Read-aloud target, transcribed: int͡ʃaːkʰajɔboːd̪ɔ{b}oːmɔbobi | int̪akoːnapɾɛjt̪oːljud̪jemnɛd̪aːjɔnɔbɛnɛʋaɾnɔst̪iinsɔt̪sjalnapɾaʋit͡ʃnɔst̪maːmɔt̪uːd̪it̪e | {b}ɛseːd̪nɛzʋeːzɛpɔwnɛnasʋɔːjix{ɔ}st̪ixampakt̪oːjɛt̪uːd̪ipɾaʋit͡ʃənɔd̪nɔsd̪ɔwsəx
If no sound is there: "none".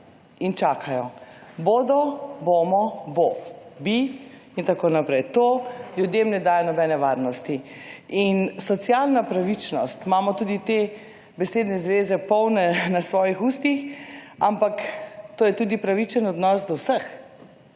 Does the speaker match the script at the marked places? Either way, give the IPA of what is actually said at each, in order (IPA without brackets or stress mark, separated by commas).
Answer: b, b, u